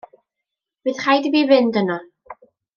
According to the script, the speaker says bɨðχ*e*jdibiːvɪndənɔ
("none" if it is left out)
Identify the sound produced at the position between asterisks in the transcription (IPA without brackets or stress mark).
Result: a